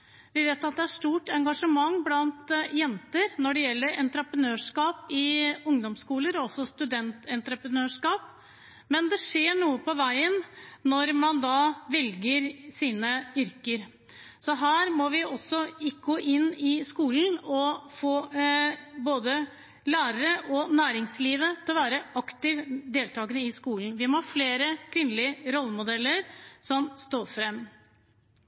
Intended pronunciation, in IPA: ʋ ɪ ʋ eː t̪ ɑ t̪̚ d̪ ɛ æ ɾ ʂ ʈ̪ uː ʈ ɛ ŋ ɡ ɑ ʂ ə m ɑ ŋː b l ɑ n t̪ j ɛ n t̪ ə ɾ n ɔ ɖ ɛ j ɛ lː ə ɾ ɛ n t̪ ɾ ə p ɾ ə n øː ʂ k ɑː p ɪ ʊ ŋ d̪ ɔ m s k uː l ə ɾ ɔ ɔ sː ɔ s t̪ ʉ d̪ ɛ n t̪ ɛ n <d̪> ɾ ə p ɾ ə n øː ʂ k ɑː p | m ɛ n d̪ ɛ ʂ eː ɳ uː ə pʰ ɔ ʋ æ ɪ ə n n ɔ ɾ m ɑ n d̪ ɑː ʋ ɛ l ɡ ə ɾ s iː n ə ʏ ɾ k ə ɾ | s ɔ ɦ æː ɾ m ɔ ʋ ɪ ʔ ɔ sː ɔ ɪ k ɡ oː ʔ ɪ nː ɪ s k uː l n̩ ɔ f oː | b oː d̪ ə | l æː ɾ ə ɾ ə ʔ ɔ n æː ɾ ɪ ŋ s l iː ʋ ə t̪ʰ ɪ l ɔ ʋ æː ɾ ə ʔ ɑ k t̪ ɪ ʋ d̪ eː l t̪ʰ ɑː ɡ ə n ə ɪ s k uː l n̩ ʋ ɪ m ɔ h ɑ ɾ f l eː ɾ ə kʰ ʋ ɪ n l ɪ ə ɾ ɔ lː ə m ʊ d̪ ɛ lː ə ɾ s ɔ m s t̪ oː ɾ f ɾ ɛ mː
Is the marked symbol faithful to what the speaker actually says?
no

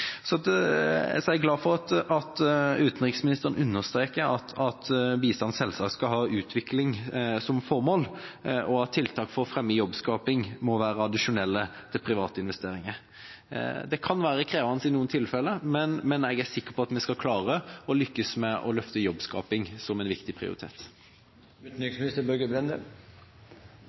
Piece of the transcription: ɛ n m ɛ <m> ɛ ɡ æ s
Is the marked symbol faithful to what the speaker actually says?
no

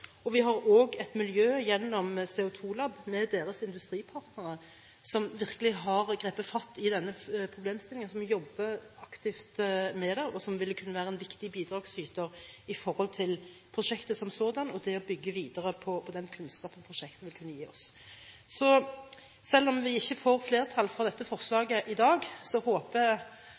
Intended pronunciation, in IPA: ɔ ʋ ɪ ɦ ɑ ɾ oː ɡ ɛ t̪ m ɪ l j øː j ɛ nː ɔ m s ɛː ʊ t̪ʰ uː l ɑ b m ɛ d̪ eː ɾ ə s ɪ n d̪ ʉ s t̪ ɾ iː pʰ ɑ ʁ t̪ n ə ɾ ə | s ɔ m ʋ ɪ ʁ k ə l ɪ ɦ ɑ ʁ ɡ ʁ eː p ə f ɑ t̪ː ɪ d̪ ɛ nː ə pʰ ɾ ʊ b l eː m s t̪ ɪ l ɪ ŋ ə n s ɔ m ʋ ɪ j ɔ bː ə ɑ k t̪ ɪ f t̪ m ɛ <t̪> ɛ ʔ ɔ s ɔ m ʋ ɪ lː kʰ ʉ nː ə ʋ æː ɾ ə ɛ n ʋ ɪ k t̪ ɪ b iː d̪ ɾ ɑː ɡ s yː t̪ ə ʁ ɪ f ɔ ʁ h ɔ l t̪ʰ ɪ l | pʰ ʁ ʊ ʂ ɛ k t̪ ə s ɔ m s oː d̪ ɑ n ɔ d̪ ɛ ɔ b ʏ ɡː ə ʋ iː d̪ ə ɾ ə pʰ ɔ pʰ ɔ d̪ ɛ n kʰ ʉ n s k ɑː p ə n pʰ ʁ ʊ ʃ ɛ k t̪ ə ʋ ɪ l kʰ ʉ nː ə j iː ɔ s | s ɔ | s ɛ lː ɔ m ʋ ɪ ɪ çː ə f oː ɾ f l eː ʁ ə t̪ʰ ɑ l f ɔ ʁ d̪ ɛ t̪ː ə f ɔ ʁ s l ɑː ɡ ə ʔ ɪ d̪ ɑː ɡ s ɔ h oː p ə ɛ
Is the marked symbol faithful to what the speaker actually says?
no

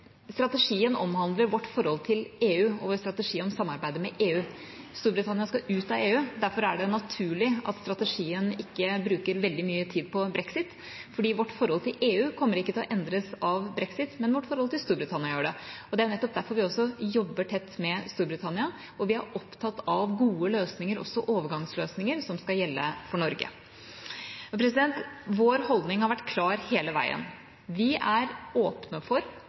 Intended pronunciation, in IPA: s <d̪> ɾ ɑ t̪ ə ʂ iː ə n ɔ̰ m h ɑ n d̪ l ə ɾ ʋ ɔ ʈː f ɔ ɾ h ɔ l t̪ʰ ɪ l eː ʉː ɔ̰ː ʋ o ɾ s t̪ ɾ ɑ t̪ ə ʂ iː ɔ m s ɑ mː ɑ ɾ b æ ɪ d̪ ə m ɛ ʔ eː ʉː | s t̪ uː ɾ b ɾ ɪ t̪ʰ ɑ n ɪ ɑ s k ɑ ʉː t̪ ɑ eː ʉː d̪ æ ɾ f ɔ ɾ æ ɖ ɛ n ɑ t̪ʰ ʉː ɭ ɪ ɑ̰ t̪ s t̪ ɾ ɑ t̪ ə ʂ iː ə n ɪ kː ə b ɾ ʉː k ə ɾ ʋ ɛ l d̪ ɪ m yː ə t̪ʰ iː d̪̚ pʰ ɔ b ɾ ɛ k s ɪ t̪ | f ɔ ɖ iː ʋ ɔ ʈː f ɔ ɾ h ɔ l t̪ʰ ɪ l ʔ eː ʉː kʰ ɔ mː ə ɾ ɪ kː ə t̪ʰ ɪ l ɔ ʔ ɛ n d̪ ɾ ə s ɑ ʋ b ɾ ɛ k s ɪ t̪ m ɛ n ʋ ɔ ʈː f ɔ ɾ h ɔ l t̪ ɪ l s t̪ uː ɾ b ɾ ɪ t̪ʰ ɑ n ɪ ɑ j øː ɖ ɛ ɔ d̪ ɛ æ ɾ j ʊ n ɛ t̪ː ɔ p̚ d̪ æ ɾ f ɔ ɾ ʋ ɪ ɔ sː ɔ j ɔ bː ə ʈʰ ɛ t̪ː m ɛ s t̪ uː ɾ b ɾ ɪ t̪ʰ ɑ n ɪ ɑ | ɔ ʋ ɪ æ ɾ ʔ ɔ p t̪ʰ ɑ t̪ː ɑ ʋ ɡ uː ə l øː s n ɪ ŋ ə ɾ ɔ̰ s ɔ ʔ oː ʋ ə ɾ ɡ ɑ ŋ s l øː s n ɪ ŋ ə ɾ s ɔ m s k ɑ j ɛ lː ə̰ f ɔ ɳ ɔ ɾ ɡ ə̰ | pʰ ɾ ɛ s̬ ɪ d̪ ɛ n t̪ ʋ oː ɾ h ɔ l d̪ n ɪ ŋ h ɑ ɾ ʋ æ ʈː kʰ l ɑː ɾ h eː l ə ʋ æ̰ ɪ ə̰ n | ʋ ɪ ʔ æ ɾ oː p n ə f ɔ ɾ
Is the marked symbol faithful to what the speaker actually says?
no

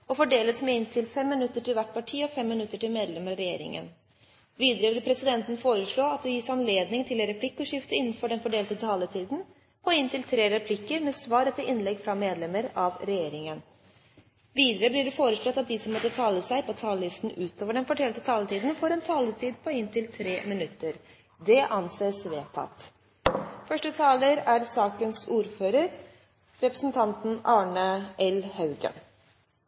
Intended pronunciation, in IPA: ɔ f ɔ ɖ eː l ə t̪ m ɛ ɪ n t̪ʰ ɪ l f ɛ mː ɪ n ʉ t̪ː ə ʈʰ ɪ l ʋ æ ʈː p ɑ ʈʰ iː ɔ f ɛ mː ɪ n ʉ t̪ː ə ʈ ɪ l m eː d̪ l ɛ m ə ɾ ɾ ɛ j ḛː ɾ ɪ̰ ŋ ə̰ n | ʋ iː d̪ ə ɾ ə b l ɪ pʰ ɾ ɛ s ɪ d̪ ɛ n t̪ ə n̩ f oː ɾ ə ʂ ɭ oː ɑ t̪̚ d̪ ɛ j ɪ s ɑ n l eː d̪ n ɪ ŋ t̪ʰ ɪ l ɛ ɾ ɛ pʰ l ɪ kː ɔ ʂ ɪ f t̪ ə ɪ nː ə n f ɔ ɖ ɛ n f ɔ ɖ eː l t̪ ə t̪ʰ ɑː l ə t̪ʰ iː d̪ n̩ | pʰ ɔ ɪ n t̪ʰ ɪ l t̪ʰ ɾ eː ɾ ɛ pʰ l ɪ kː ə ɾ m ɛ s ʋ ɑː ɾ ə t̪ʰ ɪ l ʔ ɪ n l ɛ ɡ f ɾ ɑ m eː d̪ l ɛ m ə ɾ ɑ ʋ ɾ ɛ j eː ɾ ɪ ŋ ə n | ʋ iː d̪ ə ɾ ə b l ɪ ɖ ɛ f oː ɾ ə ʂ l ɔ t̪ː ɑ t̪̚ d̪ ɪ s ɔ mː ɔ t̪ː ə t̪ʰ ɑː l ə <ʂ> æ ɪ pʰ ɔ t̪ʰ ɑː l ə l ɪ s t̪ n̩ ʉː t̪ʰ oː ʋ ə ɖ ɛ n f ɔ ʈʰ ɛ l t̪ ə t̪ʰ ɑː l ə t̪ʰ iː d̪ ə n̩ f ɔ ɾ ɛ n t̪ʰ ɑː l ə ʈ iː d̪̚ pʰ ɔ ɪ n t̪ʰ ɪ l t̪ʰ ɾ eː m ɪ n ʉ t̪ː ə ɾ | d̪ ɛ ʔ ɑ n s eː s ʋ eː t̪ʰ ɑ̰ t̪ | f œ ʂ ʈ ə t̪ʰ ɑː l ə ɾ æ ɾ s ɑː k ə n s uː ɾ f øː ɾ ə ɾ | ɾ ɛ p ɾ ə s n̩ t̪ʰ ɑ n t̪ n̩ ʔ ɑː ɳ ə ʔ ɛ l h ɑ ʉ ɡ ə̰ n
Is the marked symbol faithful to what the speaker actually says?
no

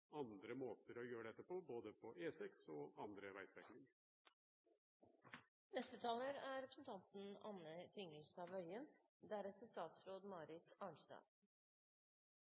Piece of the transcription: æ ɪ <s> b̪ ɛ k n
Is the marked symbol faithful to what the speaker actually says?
yes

